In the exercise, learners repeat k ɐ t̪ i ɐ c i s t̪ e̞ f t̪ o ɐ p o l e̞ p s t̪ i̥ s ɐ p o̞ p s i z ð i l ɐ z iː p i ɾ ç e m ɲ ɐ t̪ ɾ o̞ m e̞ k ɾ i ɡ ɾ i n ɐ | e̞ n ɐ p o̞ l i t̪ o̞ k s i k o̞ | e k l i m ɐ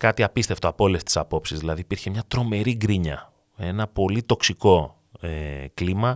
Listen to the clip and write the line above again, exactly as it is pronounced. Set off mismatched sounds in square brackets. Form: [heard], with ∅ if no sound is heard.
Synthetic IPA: k ɐ t̪ i ɐ [p] i s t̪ e̞ f t̪ o ɐ p o l e̞ [∅] s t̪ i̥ s ɐ p o̞ p s i z ð i l ɐ [ð] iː p i ɾ ç e m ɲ ɐ t̪ ɾ o̞ m e̞ [∅] ɾ i ɡ ɾ i [ɲ] ɐ | e̞ n ɐ p o̞ l i t̪ o̞ k s i k o̞ | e k l i m ɐ